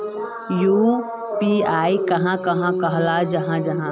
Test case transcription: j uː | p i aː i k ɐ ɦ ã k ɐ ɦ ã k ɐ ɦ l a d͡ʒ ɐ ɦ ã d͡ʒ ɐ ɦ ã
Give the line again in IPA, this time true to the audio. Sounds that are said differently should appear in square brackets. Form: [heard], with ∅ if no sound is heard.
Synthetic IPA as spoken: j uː | p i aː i k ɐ ɦ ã k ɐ ɦ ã k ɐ ɦ l a d͡ʒ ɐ ɦ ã d͡ʒ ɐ ɦ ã